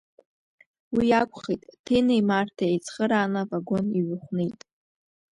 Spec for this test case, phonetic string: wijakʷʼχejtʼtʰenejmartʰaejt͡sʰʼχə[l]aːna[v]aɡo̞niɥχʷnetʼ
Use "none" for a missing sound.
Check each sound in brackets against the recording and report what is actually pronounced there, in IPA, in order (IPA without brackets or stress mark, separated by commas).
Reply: ɾ, v